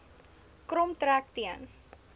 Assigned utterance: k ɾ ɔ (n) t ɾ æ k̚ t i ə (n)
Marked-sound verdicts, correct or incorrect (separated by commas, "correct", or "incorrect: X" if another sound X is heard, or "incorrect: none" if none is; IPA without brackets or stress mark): incorrect: m, correct